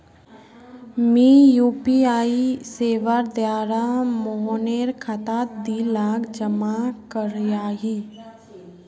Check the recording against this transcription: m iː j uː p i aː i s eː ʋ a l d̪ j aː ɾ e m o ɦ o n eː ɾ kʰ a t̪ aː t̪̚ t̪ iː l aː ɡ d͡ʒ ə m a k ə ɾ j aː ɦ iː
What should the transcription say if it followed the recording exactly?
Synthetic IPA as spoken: m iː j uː p i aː i s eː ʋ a ɾ d̪ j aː ɾ a m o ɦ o n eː ɾ kʰ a t̪ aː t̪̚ d̪ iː l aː ɡ d͡ʒ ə m a k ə ɾ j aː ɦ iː